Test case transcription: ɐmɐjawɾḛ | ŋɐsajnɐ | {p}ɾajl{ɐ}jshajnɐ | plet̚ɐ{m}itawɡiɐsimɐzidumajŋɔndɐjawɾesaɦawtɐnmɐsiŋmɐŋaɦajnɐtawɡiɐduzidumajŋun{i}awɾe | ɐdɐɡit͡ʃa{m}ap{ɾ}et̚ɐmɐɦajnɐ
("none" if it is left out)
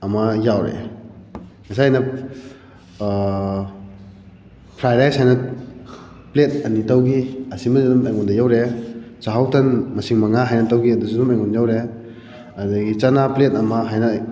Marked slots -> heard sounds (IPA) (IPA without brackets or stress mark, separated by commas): pʰ, a, n, j, n, l